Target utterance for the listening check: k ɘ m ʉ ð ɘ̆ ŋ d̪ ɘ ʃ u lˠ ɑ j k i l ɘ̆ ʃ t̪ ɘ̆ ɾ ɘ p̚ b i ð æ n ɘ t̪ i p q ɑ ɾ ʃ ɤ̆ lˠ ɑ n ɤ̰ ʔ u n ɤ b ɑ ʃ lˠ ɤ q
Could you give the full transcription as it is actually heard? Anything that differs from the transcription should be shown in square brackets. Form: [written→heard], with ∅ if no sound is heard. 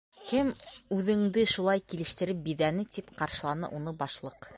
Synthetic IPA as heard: k ɘ m ʉ ð ɘ̆ ŋ d̪ ɘ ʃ u lˠ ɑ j k i l ɘ̆ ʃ t̪ ɘ̆ ɾ ɘ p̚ b i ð æ n ɘ t̪ i p q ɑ ɾ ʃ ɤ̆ lˠ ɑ n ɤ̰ ʔ u n ɤ b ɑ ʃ lˠ ɤ q